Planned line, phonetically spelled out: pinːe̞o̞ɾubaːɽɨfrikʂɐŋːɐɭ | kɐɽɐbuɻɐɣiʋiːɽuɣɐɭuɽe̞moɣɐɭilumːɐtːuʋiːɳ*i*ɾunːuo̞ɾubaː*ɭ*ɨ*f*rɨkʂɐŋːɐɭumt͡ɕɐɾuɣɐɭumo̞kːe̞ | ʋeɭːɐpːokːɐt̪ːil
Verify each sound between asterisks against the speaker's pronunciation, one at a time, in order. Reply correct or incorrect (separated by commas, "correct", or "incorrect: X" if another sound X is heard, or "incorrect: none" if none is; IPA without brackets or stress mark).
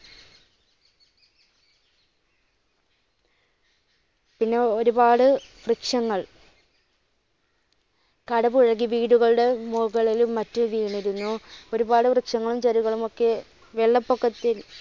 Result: correct, incorrect: ɽ, correct